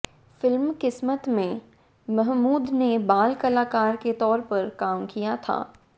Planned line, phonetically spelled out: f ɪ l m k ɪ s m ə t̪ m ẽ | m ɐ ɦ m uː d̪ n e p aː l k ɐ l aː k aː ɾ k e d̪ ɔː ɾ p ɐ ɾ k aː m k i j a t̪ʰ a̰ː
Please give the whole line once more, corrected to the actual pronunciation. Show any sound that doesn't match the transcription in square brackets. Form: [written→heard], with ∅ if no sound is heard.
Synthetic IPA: f ɪ l m k ɪ s m ə t̪ m ẽ | m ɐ ɦ m uː d̪ n e [p→b] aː l k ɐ l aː k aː ɾ k e [d̪→t̪] ɔː ɾ p ɐ ɾ k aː m k i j a t̪ʰ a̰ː